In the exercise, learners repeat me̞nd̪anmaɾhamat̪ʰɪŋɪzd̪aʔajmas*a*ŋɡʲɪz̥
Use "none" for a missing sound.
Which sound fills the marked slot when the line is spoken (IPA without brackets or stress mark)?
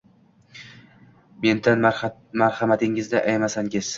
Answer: a